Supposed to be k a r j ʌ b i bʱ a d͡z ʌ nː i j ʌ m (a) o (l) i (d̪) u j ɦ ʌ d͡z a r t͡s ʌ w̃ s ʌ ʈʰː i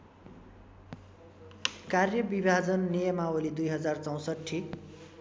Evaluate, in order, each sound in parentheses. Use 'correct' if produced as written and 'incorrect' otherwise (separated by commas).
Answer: correct, correct, correct